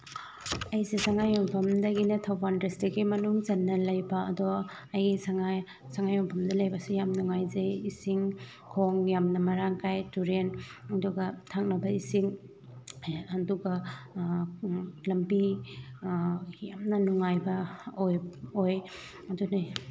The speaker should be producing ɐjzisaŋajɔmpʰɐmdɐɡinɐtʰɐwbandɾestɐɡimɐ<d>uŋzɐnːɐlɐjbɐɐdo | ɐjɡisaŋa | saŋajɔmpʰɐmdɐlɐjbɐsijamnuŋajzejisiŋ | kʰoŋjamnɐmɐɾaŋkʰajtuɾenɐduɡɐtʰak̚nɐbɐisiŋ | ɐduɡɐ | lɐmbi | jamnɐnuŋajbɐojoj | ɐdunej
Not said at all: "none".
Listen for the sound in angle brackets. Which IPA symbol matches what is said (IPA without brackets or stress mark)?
n